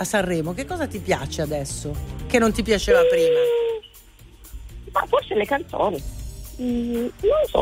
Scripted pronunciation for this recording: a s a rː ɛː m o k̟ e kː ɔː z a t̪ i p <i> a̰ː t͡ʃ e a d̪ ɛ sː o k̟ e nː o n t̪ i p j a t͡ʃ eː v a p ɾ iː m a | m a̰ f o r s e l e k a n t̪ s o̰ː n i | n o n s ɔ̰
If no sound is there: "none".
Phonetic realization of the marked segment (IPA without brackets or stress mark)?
j